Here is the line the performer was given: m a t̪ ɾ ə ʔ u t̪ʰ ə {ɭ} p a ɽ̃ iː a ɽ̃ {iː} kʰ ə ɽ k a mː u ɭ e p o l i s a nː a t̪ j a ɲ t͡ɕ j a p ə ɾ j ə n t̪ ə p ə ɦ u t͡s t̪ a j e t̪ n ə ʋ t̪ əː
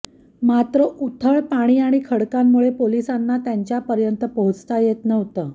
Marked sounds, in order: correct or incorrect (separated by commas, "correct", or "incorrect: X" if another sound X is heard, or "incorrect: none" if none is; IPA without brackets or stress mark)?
correct, incorrect: i